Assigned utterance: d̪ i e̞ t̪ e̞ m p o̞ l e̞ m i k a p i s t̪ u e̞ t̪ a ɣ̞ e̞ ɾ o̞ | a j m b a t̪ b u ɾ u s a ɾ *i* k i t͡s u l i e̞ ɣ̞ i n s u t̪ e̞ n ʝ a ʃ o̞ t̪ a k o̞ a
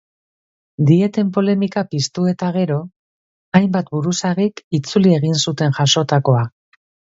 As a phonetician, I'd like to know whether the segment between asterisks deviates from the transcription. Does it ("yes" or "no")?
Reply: no